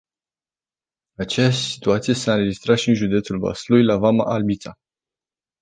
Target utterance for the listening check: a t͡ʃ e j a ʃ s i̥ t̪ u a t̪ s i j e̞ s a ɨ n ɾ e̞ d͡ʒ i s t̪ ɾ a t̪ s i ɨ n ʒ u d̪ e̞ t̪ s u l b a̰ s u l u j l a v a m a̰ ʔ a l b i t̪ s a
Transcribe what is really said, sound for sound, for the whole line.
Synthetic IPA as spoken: a t͡ʃ e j a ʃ s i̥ t̪ u a t̪ s i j e̞ s a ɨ n ɾ e̞ d͡ʒ i s t̪ ɾ a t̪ ʃ i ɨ n ʒ u d̪ e̞ t̪ s u l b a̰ s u l u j l a v a m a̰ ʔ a l b i t̪ s a